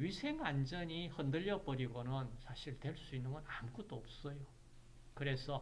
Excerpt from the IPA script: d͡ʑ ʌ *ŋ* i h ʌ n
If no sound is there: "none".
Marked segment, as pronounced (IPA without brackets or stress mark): ɲ